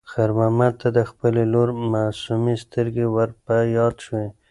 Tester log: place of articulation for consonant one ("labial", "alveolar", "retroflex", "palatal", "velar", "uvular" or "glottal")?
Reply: velar